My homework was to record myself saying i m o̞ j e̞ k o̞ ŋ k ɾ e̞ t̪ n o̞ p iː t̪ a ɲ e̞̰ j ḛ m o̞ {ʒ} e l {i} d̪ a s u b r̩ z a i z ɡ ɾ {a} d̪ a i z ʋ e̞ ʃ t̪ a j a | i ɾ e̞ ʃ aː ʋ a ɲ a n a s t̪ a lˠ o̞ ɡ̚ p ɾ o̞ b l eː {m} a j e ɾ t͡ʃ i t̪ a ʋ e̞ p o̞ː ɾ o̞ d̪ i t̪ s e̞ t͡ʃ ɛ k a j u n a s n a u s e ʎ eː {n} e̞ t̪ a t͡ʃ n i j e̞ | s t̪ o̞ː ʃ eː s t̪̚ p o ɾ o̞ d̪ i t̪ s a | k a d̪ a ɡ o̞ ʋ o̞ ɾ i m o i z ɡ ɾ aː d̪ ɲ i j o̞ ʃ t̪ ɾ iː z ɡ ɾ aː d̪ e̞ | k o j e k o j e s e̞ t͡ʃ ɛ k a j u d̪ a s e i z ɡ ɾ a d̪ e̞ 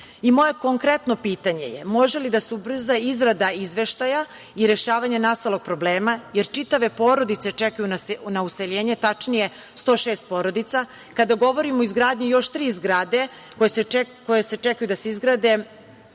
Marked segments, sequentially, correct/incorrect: correct, correct, correct, correct, incorrect

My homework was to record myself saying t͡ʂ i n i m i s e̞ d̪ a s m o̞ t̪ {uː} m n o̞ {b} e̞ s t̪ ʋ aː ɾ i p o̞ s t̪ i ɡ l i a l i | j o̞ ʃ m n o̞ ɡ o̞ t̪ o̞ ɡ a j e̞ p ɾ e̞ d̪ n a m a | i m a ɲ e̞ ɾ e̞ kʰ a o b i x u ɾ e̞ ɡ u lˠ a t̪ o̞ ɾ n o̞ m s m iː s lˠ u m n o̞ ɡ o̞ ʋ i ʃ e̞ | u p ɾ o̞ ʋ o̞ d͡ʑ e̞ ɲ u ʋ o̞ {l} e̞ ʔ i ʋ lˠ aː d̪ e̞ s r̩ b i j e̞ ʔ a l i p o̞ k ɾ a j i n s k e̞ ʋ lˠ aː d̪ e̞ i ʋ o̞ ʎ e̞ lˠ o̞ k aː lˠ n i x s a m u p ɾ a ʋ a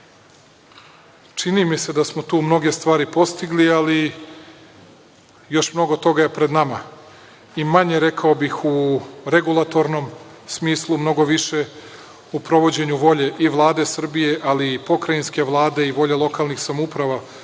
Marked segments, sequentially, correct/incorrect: correct, incorrect, incorrect

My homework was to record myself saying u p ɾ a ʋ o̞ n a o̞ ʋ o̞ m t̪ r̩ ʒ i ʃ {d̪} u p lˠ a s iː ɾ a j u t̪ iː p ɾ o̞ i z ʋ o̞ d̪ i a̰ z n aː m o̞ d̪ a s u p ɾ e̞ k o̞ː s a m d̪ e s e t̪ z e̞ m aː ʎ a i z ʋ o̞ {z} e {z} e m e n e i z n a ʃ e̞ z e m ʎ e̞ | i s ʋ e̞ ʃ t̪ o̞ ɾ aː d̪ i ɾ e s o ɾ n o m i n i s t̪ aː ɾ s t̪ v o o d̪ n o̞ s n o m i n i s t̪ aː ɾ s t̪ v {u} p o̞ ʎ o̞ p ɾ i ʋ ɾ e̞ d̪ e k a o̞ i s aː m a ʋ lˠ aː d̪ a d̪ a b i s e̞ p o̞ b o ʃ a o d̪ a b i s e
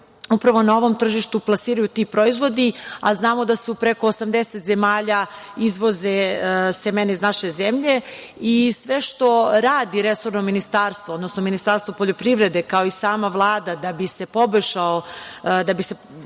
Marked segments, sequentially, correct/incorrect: incorrect, correct, incorrect, incorrect

